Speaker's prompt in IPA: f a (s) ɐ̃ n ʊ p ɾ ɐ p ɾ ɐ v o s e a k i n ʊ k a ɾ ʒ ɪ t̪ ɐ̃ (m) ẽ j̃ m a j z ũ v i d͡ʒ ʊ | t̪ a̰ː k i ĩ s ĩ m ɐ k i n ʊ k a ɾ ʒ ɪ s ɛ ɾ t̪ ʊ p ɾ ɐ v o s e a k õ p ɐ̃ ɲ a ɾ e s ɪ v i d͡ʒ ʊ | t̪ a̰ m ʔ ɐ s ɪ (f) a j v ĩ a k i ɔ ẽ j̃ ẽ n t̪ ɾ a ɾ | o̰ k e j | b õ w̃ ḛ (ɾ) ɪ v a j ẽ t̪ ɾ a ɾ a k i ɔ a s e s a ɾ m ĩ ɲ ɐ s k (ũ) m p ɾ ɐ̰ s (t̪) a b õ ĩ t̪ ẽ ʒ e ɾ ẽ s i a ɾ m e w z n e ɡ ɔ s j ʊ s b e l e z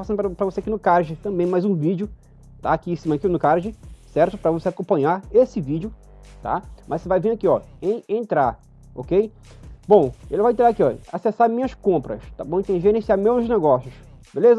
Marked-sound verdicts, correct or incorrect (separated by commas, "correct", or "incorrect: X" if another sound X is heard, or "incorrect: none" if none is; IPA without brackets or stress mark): correct, incorrect: b, incorrect: v, incorrect: l, incorrect: õ, correct